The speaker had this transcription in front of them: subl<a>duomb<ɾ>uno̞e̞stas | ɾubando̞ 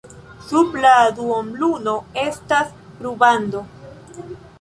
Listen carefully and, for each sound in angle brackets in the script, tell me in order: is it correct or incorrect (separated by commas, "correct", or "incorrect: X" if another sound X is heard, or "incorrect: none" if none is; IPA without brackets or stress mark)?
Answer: correct, incorrect: l